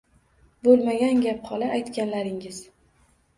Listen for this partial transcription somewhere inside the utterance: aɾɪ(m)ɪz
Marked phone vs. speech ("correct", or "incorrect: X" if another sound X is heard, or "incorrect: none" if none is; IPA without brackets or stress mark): incorrect: ŋ